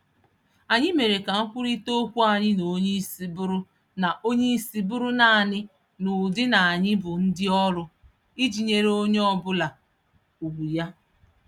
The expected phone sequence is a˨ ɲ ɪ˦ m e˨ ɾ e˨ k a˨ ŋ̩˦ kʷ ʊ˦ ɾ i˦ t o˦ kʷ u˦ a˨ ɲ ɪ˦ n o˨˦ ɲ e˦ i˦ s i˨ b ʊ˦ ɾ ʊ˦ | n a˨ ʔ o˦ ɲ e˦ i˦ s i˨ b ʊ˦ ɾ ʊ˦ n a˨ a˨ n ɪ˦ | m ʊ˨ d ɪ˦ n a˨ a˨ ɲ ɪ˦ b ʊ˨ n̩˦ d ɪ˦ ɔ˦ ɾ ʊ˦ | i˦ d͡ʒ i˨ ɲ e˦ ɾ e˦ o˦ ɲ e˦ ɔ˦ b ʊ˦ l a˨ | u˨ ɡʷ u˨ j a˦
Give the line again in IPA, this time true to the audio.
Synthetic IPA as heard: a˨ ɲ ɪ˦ m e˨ ɾ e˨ k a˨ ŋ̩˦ kʷ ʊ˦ ɾ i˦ t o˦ kʷ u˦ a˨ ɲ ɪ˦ n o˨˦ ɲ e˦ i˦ s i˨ b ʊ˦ ɾ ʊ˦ | n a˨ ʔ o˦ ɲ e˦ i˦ s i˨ b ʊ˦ ɾ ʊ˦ n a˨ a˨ n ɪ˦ | n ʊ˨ d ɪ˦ n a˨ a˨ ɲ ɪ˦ b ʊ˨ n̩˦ d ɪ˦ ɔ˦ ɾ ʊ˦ | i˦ d͡ʒ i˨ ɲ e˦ ɾ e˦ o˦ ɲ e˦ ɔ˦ b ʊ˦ l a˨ | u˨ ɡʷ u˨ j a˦